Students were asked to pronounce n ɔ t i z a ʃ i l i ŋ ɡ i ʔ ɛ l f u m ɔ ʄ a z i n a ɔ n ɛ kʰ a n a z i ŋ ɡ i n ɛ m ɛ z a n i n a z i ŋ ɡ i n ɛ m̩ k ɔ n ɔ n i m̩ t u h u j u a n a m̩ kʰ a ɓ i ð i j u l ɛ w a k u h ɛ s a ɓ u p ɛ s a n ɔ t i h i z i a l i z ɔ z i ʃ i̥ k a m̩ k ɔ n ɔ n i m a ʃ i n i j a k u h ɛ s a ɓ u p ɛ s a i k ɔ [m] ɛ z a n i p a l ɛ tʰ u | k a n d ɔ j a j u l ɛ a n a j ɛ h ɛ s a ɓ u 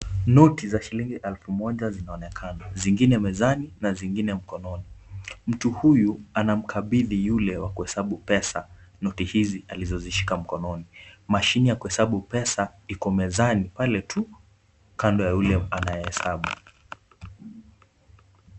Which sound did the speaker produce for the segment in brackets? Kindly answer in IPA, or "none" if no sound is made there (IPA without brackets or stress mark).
m